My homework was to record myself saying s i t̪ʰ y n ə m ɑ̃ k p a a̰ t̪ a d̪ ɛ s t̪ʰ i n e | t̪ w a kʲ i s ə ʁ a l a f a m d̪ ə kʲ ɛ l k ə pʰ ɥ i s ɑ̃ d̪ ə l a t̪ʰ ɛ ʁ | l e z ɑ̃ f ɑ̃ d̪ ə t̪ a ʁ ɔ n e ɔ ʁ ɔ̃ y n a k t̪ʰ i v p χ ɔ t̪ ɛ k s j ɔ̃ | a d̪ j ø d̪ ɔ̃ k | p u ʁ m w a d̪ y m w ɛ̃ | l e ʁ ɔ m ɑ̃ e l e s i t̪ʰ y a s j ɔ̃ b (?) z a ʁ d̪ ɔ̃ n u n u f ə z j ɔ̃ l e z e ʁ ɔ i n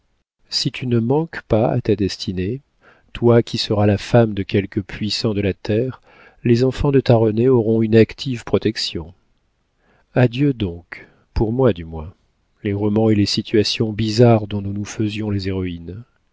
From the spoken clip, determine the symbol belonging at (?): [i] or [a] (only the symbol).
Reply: i